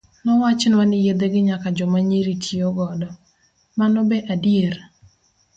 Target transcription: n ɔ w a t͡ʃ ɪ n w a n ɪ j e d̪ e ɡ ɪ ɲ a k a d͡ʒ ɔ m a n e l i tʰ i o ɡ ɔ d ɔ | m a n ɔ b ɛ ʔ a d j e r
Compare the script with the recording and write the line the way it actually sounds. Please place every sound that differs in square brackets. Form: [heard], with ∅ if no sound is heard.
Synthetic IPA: n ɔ w a t͡ʃ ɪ n w a n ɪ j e d̪ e ɡ ɪ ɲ a k a d͡ʒ ɔ m a [ɲ] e [ɾ] i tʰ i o ɡ ɔ d ɔ | m a n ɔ b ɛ ʔ a d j e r